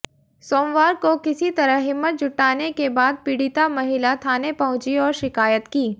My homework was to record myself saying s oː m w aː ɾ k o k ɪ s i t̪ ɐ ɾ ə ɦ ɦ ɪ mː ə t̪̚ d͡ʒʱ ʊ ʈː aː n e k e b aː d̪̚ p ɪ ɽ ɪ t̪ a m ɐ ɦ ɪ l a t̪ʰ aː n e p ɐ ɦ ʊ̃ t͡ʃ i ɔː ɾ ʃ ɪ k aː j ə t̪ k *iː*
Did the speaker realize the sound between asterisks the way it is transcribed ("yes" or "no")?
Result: yes